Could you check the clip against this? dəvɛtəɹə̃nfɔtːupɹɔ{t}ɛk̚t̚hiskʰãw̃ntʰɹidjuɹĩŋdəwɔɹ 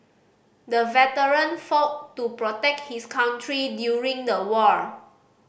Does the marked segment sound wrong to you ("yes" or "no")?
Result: no